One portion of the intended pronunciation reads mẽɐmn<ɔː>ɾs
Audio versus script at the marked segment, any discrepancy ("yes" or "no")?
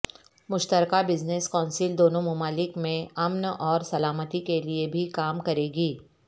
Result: no